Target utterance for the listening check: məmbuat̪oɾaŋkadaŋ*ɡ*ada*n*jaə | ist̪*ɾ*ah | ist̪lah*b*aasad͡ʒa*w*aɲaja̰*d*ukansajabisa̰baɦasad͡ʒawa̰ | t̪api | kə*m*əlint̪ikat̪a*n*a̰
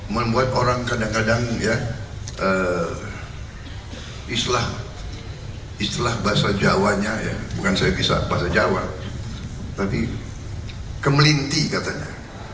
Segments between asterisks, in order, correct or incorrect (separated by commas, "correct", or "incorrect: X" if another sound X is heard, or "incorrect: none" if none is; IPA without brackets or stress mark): incorrect: k, incorrect: ŋ, incorrect: l, correct, correct, incorrect: b, correct, incorrect: ɲ